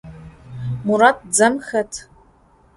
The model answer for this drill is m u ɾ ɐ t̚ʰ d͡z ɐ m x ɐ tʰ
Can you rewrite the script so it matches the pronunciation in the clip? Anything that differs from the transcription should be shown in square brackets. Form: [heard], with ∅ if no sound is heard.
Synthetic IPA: m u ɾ [a] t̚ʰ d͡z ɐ m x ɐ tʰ